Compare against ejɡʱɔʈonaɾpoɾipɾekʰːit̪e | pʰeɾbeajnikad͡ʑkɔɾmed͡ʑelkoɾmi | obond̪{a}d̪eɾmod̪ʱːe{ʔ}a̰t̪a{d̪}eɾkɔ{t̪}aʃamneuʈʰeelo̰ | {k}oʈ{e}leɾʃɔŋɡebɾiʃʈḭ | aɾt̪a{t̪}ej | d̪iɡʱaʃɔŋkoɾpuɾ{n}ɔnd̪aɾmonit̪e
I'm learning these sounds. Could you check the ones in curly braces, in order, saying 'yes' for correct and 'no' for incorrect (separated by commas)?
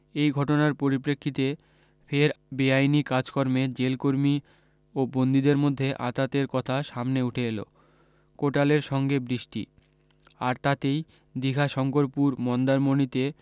no, yes, no, no, yes, no, yes, no